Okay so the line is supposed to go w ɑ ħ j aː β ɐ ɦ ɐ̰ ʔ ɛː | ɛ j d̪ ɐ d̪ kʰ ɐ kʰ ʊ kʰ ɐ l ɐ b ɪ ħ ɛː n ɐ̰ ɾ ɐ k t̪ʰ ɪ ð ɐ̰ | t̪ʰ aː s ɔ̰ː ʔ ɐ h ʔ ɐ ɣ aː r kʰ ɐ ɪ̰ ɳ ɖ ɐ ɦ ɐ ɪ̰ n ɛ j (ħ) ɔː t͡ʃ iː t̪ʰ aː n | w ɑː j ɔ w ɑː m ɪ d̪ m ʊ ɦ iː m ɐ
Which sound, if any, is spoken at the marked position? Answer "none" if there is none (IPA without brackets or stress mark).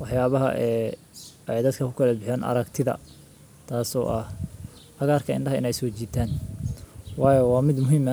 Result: s